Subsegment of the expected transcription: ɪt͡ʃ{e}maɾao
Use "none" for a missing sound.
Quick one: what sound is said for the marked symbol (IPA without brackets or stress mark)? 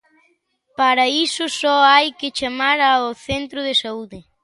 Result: a